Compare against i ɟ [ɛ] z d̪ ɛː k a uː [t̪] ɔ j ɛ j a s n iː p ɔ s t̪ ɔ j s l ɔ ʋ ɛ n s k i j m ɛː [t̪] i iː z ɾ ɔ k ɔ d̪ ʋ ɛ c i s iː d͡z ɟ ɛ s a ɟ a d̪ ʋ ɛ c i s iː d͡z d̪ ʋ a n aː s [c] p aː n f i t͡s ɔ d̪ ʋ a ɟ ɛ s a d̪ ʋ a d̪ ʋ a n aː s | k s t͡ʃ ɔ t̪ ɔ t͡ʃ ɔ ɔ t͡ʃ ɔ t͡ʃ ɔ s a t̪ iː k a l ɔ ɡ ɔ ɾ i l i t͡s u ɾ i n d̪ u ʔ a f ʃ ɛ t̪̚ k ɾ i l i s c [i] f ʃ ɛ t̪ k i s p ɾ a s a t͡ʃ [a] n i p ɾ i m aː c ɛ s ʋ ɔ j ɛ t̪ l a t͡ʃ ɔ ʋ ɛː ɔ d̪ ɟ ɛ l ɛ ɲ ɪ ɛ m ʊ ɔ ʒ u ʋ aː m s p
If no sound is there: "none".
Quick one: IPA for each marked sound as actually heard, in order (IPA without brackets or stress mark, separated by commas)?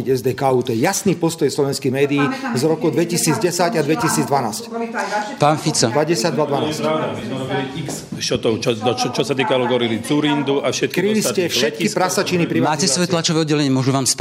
ɛ, t̪, d̪, c, ɛ, i